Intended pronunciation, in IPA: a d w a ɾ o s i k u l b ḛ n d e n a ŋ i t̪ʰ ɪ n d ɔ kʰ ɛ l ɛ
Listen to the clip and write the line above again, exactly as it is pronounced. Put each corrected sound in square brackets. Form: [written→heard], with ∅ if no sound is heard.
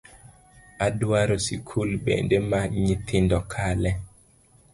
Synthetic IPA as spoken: a d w a ɾ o s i [k→kʰ] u l b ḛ n d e [n→m] a [ŋ→ɲ] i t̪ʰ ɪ n d ɔ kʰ [ɛ→a] l ɛ